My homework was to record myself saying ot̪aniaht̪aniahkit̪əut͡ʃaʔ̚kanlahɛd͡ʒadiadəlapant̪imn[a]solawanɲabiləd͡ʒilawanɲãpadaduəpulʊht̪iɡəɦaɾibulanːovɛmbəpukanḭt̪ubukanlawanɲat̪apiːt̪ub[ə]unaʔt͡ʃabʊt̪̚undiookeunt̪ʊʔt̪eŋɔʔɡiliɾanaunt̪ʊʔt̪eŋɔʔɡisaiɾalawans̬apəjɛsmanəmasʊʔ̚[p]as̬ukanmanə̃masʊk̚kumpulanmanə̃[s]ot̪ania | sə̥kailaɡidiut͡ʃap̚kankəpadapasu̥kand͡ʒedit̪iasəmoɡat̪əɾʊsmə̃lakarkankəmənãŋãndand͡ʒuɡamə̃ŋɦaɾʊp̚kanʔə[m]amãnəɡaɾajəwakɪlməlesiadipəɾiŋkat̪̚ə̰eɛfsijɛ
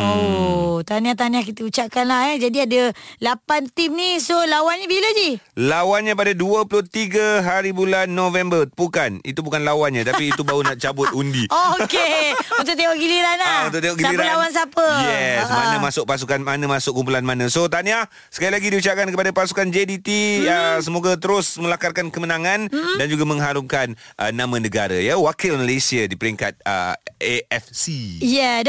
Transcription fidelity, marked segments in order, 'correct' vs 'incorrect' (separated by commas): incorrect, incorrect, correct, correct, incorrect